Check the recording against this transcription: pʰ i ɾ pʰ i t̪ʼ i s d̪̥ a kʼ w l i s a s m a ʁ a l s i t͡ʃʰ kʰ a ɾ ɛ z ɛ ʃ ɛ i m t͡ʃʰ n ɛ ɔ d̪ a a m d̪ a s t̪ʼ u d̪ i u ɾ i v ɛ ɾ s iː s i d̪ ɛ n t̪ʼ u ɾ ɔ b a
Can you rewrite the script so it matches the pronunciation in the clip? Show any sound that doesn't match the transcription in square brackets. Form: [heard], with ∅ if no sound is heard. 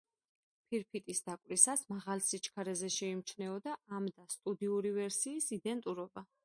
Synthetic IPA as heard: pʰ i ɾ pʰ i t̪ʼ i s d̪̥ a kʼ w [ɾ] i s a s m a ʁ a l s i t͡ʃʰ kʰ a ɾ ɛ z ɛ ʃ ɛ i m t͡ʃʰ n ɛ ɔ d̪ a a m d̪ a s t̪ʼ u d̪ i u ɾ i v ɛ ɾ s iː s i d̪ ɛ n t̪ʼ u ɾ ɔ b a

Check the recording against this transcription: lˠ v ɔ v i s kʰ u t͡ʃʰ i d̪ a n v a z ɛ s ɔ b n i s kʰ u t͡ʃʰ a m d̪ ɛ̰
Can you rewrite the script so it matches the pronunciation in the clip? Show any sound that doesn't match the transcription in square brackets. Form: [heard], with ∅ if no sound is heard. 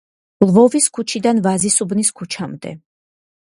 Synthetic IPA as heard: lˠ v ɔ v i s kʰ u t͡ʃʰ i d̪ a n v a z [i] s [u] b n i s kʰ u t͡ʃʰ a m d̪ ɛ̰

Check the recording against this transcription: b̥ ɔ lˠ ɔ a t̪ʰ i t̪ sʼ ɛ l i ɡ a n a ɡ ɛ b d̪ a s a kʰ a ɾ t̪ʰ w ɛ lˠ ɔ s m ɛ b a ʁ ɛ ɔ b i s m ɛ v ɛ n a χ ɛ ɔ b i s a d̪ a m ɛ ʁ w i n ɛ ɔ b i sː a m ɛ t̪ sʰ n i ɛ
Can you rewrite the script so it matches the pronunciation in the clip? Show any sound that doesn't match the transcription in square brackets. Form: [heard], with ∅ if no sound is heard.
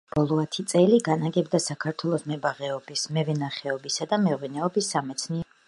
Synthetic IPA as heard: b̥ ɔ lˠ ɔ a t̪ʰ i t̪ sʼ ɛ l i ɡ a n a ɡ ɛ b d̪ a s a kʰ a ɾ t̪ʰ w ɛ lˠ ɔ s m ɛ b a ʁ ɛ ɔ b i s m ɛ v ɛ n a χ ɛ ɔ b i s a d̪ a m ɛ ʁ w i n ɛ ɔ b i sː a m ɛ t̪ sʰ n i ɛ

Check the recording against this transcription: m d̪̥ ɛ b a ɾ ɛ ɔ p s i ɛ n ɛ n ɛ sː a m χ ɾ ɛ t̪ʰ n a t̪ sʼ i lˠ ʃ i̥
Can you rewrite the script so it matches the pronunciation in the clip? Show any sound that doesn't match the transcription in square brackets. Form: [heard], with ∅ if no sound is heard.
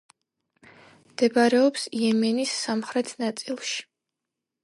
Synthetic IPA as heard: m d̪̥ ɛ b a ɾ ɛ ɔ p s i ɛ [m] ɛ n [i] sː a m χ ɾ ɛ t̪ʰ n a t̪ sʼ i lˠ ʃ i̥

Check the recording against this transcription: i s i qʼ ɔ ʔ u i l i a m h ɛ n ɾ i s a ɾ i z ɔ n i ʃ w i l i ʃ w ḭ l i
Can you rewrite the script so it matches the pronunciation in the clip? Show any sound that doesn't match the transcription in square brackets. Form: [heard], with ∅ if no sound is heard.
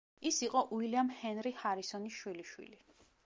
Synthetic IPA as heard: i s i qʼ ɔ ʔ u i l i a m h ɛ n ɾ i [h] a ɾ i [s] ɔ n i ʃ w i l i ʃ w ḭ l i

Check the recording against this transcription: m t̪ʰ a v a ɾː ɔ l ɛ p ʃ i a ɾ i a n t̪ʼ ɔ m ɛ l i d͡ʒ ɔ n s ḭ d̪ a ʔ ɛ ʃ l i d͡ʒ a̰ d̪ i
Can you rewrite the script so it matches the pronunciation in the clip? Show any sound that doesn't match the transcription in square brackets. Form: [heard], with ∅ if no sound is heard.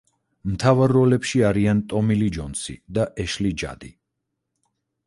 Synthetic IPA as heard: m t̪ʰ a v a ɾː ɔ l ɛ p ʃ i a ɾ i a n t̪ʼ ɔ m [i] l i d͡ʒ ɔ n s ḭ d̪ a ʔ ɛ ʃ l i d͡ʒ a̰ d̪ i

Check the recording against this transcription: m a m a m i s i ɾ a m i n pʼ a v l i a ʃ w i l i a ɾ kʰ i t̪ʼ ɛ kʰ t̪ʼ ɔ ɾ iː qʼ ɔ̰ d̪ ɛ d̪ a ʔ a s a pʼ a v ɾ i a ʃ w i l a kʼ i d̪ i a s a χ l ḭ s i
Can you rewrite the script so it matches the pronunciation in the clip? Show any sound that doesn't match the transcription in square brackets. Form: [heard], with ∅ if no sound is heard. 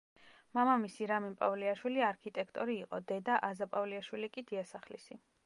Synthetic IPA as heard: m a m a m i s i ɾ a m i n pʼ a v l i a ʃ w i l i a ɾ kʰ i t̪ʼ ɛ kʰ t̪ʼ ɔ ɾ iː qʼ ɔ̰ d̪ ɛ d̪ a ʔ a [z] a pʼ a v [l] i a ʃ w i l [i] kʼ i d̪ i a s a χ l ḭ s i

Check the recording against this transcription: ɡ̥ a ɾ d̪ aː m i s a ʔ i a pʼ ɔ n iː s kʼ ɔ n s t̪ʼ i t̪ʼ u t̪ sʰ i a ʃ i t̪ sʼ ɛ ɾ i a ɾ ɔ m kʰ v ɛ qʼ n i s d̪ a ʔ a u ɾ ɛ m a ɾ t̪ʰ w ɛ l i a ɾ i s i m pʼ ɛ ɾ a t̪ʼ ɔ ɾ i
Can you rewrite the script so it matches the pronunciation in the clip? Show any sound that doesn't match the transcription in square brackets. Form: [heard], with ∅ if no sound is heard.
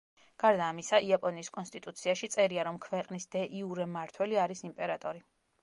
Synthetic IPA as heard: ɡ̥ a ɾ d̪ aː m i s a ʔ i a pʼ ɔ n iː s kʼ ɔ n s t̪ʼ i t̪ʼ u t̪ sʰ i a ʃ i t̪ sʼ ɛ ɾ i a ɾ ɔ m kʰ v ɛ qʼ n i s d̪ [ɛ] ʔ [i] u ɾ ɛ m a ɾ t̪ʰ w ɛ l i a ɾ i s i m pʼ ɛ ɾ a t̪ʼ ɔ ɾ i

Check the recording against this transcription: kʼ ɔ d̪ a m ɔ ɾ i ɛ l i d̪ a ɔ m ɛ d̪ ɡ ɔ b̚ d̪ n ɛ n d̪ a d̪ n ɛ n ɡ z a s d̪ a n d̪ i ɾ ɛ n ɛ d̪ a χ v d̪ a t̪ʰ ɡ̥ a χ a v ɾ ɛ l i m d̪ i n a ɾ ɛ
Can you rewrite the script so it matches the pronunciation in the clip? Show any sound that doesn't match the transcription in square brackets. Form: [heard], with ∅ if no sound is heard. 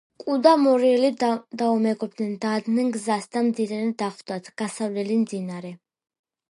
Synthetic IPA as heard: kʼ [u] d̪ a m ɔ ɾ i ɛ l i d̪ a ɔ m ɛ [∅] ɡ ɔ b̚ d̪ n ɛ n d̪ a d̪ n ɛ n ɡ z a s d̪ a [m] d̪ i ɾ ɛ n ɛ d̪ a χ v d̪ a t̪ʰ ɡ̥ a [s] a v [l] ɛ l i m d̪ i n a ɾ ɛ

